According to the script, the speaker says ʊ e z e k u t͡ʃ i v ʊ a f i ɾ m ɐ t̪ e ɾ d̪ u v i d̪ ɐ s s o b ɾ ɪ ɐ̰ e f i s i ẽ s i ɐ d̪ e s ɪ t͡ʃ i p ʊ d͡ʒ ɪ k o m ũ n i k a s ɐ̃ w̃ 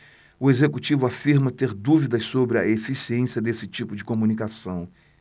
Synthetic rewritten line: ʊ e z e k u t͡ʃ i v ʊ a f i ɾ m ɐ t̪ e ɾ d̪ u v i d̪ ɐ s s o b ɾ ɪ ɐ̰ e f i s i ẽ s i ɐ d̪ e s ɪ t͡ʃ i p ʊ d͡ʒ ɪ k o m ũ n i k a s ɐ̃ w̃